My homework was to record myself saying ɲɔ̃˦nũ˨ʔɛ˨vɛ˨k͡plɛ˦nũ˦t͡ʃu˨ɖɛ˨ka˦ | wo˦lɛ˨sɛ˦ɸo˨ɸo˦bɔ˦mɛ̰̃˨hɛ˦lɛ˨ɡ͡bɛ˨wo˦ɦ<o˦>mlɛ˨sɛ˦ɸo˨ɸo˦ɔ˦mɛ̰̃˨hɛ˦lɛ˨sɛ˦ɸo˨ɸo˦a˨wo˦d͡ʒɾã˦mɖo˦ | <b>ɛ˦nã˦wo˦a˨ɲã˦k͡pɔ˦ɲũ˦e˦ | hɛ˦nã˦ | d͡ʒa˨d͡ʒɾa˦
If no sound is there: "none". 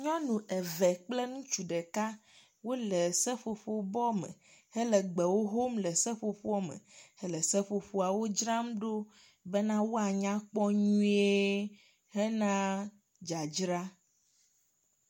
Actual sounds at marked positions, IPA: o˦, b

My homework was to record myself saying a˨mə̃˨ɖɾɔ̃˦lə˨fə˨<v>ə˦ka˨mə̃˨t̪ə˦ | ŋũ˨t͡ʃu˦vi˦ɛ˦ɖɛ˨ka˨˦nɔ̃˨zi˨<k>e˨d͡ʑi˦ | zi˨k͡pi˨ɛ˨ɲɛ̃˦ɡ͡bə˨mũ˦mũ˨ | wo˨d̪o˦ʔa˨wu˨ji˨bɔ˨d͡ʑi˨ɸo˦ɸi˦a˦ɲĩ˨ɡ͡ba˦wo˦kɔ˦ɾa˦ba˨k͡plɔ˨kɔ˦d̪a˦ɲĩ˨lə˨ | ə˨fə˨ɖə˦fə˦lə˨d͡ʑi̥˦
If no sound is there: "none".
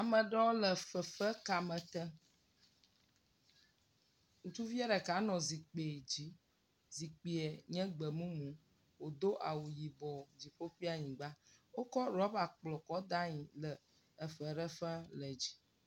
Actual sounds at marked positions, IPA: f, k͡p

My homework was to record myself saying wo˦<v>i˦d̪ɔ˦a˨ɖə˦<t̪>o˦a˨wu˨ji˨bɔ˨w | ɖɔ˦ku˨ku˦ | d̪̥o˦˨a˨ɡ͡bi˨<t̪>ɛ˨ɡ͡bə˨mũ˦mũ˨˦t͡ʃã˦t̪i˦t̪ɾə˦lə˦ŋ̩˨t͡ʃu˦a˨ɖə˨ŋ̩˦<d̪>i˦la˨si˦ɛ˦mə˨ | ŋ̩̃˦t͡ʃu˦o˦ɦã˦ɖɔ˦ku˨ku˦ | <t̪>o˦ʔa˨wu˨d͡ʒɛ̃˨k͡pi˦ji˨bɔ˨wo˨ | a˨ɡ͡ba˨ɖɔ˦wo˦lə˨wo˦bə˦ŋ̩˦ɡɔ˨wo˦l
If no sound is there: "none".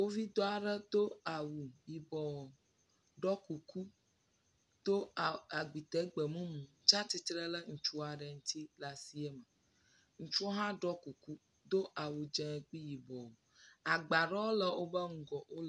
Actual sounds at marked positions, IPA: v, d̪, t̪, t̪, d̪

